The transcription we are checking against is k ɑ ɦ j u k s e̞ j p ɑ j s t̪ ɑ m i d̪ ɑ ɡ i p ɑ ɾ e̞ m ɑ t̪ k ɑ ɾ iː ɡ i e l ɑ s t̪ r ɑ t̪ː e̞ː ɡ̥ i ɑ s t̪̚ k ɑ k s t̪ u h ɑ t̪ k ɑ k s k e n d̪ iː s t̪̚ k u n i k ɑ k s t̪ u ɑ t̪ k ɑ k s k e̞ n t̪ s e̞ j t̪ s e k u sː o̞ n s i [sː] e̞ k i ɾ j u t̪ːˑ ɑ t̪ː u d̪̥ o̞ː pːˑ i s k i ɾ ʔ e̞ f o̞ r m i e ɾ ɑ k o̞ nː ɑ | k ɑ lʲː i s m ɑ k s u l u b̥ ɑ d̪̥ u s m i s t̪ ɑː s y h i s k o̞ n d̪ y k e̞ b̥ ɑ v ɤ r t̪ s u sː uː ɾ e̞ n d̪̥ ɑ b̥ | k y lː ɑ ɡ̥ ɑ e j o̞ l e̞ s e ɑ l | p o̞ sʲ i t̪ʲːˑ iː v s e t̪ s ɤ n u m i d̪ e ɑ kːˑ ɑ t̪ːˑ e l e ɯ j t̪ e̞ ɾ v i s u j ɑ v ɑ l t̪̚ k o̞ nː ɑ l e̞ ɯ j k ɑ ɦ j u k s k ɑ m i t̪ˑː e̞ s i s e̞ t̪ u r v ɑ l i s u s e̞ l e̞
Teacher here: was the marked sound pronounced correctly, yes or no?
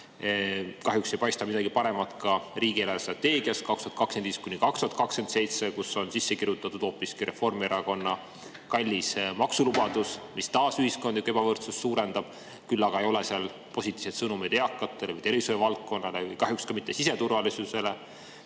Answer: yes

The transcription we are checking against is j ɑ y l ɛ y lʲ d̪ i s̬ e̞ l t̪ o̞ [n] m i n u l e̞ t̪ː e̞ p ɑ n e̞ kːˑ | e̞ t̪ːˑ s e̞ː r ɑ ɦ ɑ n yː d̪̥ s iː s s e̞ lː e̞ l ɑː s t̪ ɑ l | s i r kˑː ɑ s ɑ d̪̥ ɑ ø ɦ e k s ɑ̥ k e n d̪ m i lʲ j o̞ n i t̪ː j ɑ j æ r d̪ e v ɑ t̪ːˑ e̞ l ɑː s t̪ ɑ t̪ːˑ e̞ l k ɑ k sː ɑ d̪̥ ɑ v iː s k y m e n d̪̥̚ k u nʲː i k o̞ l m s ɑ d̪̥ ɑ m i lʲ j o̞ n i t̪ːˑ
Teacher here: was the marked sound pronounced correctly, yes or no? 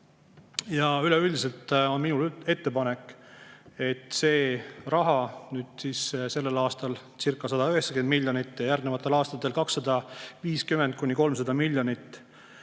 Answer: yes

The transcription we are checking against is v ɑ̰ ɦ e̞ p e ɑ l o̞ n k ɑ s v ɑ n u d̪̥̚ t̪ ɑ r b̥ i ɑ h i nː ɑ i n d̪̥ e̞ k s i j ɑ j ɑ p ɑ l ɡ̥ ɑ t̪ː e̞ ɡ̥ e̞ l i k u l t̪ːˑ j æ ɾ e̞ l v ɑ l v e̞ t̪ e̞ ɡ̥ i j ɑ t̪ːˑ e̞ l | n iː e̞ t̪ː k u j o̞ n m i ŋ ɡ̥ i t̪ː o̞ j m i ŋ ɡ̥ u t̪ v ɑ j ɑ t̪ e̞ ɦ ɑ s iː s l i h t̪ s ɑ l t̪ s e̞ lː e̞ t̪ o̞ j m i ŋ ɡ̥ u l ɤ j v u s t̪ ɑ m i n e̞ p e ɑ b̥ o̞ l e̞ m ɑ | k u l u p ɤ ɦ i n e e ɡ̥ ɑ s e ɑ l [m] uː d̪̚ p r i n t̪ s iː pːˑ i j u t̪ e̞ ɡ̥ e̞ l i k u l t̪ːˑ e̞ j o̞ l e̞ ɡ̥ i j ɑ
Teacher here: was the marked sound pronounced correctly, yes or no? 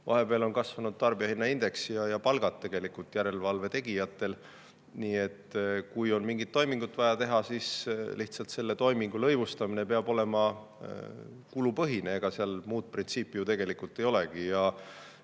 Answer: yes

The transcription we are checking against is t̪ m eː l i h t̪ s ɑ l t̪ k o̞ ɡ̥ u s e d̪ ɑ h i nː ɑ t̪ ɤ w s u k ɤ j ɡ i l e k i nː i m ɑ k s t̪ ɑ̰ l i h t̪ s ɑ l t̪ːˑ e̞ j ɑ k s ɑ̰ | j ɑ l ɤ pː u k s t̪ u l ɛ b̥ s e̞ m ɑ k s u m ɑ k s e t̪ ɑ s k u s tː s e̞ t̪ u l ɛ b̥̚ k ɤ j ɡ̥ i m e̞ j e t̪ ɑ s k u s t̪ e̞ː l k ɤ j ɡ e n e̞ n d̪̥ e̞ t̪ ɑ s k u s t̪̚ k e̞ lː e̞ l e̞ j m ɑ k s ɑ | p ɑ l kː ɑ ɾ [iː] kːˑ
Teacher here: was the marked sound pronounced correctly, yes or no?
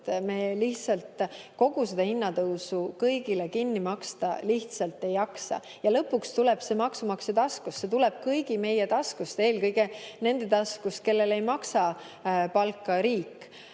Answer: yes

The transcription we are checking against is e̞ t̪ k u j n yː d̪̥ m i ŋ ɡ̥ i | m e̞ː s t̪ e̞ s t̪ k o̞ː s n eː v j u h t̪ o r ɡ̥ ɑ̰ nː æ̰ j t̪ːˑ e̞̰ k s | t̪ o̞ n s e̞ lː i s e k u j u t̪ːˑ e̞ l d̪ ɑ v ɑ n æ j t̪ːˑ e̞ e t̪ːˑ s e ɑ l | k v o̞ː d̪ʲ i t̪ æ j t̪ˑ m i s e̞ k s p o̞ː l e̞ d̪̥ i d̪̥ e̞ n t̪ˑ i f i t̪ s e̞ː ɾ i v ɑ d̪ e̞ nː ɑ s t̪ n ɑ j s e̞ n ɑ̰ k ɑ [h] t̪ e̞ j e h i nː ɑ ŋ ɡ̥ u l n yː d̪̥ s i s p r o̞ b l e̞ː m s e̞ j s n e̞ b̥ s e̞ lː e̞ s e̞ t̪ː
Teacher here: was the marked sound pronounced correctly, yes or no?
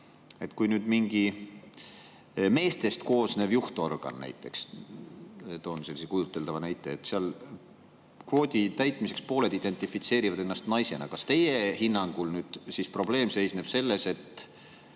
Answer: no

